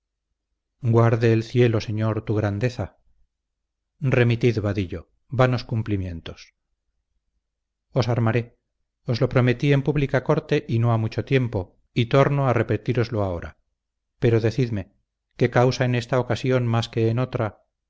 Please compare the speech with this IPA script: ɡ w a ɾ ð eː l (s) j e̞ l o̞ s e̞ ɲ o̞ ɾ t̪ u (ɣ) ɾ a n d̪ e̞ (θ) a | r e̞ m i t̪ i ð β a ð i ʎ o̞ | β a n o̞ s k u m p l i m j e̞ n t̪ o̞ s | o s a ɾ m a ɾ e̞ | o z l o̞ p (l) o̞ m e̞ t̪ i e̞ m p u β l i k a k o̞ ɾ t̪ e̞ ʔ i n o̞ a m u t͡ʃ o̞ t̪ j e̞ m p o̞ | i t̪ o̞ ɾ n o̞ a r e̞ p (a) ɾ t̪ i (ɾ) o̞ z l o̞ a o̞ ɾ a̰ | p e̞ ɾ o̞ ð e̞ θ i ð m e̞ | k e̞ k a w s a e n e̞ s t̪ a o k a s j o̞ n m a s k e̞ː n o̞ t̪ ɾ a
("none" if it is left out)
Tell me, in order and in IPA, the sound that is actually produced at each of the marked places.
θ, ɣ, θ, ɾ, e, ɾ

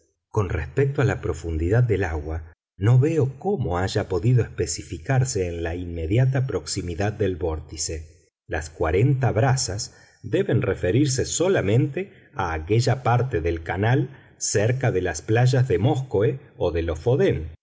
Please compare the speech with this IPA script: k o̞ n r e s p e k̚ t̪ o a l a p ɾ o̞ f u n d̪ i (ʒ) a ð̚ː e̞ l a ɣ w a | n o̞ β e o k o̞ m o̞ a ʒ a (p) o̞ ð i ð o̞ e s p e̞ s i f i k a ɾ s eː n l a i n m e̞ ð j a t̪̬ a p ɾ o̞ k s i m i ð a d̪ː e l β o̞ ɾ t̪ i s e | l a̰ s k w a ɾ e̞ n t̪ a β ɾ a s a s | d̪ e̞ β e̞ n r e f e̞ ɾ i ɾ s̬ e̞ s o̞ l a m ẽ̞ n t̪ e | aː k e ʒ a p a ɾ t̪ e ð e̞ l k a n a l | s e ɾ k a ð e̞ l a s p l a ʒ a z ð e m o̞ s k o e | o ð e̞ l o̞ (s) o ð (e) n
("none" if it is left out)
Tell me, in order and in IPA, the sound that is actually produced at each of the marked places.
ð, p, f, e

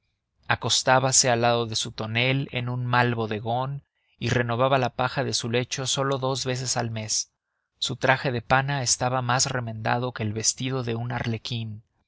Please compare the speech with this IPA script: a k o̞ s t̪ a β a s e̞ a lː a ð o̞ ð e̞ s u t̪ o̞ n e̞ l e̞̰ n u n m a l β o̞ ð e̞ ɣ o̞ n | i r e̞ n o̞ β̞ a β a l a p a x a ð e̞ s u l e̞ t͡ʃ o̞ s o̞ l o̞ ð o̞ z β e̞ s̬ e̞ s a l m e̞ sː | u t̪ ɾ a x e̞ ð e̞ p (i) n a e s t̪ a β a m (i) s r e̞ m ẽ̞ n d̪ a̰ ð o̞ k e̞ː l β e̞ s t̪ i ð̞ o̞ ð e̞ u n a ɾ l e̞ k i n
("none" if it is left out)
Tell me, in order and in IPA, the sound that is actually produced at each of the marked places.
a, a

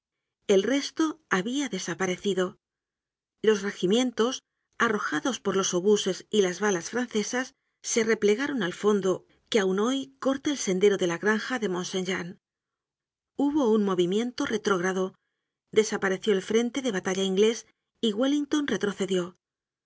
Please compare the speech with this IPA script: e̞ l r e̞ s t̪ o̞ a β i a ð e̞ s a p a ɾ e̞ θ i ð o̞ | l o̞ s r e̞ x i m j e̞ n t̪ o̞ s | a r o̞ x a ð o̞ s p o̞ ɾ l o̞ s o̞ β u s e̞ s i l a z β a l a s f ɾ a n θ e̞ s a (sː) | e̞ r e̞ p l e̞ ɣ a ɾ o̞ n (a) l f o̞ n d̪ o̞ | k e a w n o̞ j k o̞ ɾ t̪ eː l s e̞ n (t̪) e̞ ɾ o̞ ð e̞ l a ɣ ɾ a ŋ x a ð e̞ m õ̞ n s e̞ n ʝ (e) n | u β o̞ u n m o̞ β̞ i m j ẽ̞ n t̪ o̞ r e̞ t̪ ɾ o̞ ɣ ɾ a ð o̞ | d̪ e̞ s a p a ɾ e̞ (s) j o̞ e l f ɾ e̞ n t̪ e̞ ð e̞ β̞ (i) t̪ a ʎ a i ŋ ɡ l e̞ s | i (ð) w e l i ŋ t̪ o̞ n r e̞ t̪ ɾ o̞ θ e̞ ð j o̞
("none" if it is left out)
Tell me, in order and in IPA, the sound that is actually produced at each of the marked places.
sː, a, d̪, a, θ, a, ɣ

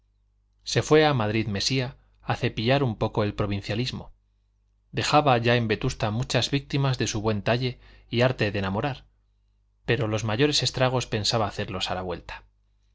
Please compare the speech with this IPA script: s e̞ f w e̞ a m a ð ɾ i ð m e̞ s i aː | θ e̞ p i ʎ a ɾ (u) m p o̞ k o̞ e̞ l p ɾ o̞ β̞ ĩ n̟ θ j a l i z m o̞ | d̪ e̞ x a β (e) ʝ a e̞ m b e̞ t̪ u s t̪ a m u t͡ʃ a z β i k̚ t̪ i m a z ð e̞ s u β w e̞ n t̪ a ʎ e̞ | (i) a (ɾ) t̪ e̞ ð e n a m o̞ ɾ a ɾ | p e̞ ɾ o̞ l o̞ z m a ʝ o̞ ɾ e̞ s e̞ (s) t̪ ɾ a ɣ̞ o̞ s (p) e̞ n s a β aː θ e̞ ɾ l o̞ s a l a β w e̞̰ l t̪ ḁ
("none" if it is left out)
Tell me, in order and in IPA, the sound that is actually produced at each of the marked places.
u, a, i, ɾ, s, p

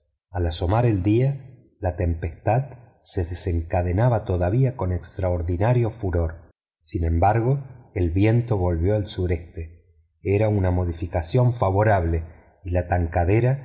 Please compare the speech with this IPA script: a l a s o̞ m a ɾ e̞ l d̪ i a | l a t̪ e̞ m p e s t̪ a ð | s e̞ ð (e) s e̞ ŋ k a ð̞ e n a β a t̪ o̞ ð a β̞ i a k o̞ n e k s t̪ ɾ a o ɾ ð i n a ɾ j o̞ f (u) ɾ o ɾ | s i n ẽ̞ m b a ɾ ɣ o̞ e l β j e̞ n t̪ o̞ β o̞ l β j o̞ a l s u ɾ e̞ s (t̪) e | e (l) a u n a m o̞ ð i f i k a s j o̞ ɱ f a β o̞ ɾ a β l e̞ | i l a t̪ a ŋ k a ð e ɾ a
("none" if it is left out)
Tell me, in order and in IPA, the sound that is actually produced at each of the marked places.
e, u, t̪, ɾ

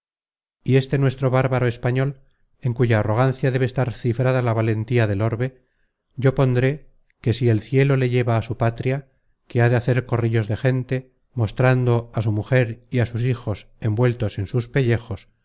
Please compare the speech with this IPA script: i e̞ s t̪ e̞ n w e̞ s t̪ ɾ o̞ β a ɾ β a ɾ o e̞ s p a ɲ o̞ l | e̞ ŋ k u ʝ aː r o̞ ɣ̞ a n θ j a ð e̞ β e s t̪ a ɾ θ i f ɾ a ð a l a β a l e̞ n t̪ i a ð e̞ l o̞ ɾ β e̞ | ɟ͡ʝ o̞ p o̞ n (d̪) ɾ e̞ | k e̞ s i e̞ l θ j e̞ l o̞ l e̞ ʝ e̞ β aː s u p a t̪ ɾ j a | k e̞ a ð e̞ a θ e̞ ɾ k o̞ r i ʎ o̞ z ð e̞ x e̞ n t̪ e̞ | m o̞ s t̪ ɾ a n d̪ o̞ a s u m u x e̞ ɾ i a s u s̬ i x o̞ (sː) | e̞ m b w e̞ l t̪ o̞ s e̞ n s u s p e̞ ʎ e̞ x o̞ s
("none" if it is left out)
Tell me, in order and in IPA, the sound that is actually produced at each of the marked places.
d̪, s

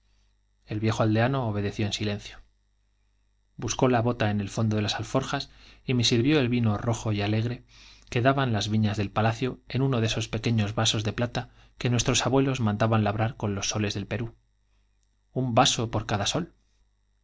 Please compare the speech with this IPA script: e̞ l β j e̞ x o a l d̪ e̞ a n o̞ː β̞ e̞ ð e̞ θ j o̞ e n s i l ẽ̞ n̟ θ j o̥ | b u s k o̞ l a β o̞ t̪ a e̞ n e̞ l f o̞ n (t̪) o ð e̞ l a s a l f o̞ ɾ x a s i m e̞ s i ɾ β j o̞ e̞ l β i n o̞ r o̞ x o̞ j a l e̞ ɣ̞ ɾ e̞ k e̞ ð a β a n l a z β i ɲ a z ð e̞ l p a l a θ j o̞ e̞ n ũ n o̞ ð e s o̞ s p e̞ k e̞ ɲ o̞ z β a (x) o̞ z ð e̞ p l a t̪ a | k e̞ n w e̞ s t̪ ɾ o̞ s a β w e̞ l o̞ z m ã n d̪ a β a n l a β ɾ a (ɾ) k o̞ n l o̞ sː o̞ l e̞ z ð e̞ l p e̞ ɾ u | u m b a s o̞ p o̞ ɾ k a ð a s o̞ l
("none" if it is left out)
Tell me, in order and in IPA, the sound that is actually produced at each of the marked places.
d̪, s, ɾ

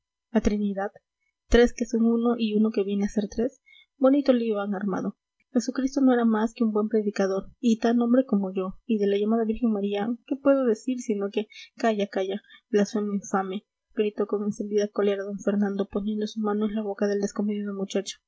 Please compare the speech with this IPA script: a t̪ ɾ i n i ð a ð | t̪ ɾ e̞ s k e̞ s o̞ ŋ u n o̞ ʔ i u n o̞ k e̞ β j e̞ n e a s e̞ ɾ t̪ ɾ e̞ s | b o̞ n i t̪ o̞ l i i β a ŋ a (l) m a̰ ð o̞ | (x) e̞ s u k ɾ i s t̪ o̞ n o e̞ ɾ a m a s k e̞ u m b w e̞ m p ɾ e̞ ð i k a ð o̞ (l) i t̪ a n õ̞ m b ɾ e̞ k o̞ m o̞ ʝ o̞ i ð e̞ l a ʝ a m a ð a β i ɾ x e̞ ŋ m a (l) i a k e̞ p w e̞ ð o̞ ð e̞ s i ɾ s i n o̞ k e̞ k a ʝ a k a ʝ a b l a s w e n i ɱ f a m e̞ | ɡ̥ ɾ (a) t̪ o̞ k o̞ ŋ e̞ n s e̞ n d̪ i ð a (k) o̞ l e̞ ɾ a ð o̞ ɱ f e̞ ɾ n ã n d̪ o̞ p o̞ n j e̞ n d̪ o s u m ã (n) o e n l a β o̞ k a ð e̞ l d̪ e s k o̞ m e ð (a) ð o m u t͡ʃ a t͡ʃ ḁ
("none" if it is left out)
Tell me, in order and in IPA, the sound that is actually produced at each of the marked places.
ɾ, x, ɾ, ɾ, i, k, n, i

